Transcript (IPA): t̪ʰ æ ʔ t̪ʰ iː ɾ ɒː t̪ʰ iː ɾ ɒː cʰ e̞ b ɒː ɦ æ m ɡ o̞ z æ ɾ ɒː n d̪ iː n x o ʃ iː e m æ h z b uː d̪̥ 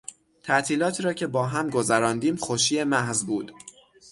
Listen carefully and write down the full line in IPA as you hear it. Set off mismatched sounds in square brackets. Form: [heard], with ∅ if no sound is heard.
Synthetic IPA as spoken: t̪ʰ æ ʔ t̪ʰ iː [l] ɒː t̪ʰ iː ɾ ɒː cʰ e̞ b ɒː ɦ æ m ɡ o̞ z æ ɾ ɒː n d̪ iː [m] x o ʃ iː e m æ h z b uː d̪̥